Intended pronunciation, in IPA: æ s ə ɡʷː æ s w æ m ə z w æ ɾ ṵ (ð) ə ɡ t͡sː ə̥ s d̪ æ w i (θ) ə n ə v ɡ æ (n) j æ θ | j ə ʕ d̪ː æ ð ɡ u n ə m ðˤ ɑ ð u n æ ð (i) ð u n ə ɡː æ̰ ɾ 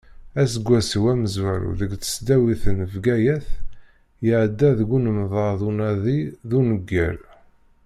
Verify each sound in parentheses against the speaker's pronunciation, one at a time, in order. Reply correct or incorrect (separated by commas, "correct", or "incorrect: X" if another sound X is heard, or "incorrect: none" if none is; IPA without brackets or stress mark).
correct, correct, incorrect: none, correct